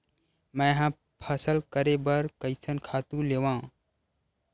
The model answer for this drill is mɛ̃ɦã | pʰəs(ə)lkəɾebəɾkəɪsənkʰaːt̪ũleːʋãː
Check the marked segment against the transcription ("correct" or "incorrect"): correct